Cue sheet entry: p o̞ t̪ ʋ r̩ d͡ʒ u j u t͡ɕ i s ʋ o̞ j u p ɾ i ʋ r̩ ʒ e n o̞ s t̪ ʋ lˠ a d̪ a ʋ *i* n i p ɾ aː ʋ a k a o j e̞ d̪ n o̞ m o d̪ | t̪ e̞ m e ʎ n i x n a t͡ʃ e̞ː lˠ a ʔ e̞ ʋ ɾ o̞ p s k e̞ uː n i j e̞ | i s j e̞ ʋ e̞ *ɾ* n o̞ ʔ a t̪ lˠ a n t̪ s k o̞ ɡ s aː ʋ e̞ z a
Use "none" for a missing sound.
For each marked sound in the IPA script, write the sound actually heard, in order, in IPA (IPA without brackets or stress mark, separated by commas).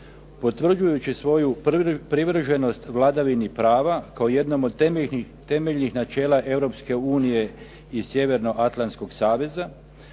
i, ɾ